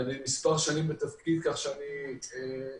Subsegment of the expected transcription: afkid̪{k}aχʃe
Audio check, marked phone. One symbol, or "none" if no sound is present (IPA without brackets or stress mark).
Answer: k